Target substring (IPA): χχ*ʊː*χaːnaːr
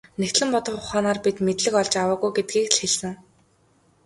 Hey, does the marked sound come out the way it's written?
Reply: no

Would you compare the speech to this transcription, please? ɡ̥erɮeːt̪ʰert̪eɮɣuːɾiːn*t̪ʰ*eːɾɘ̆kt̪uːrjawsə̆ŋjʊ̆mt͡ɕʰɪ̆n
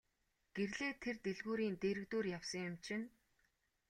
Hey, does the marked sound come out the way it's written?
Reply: no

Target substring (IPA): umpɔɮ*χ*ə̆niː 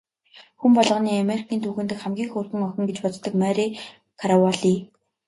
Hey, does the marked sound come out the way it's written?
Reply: no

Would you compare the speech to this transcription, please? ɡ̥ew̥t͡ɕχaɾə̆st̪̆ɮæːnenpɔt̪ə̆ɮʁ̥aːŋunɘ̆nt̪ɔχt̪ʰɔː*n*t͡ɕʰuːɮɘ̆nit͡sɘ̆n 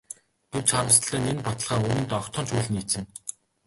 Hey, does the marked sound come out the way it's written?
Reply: yes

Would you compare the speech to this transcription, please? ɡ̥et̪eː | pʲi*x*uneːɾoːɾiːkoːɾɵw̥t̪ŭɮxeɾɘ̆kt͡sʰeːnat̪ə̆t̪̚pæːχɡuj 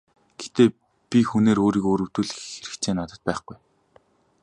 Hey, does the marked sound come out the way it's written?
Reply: yes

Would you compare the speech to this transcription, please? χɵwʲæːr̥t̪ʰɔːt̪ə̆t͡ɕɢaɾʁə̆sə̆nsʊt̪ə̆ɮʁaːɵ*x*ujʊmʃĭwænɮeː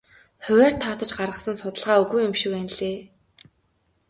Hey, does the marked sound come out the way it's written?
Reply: no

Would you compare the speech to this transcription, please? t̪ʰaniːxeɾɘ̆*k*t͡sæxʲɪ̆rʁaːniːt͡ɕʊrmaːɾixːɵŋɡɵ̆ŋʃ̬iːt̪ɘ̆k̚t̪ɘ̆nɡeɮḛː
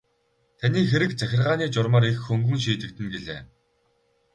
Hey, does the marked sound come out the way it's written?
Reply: yes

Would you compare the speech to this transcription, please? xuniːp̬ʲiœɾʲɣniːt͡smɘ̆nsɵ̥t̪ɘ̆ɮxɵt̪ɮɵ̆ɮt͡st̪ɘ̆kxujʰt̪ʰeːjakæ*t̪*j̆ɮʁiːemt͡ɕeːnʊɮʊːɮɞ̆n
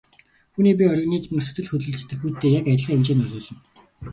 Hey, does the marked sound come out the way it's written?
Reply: no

